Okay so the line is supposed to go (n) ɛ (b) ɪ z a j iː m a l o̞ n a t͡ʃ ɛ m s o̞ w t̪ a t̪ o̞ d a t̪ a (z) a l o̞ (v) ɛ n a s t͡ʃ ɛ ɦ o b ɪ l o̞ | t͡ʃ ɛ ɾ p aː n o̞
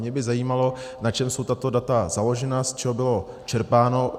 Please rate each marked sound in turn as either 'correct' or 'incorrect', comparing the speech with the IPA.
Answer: incorrect, correct, correct, incorrect

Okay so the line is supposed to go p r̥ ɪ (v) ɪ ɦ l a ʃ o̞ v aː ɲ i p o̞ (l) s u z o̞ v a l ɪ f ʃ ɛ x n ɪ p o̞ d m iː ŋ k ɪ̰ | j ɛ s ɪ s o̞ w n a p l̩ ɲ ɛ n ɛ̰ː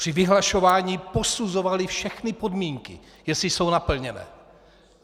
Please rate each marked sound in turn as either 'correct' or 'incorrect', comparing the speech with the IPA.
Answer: correct, incorrect

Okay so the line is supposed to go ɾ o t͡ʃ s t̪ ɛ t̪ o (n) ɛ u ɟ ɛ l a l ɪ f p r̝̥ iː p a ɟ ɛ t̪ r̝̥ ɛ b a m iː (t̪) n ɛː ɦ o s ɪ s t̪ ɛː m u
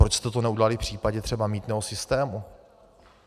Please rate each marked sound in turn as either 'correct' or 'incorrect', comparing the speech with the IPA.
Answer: correct, correct

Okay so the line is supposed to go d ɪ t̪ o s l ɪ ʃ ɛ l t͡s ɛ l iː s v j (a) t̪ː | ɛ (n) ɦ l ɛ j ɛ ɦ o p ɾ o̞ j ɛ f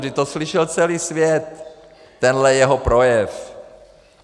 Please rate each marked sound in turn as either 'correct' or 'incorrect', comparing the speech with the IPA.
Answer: incorrect, correct

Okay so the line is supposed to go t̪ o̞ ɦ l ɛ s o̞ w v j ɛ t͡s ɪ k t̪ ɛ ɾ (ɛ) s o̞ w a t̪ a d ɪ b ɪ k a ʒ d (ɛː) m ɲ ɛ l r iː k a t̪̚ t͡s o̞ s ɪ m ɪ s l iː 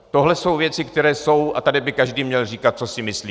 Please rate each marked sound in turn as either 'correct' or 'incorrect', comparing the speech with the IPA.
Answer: incorrect, incorrect

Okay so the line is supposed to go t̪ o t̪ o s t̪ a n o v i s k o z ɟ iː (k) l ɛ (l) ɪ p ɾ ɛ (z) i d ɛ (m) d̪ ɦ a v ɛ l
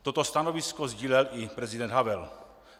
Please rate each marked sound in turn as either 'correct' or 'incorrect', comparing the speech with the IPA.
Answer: incorrect, correct, correct, incorrect

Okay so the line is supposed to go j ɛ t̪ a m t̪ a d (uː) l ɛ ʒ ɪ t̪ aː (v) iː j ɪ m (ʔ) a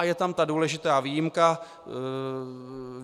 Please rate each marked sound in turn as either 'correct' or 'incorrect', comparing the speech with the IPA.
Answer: correct, correct, incorrect

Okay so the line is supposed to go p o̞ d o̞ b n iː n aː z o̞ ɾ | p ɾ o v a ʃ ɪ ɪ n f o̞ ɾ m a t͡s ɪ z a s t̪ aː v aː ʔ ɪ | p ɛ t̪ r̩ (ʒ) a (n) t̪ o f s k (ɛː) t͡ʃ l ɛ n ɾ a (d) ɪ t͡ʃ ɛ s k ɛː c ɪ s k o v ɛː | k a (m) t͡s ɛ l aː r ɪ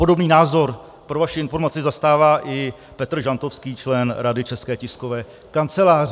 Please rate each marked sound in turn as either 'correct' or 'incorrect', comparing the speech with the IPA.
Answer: correct, correct, incorrect, correct, incorrect

